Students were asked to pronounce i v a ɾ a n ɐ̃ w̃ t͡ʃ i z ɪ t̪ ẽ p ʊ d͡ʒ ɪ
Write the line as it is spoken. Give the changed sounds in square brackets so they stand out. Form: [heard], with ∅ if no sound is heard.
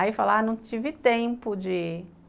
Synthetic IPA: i [f] a [l] a n ɐ̃ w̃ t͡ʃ i [v] ɪ t̪ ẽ p ʊ d͡ʒ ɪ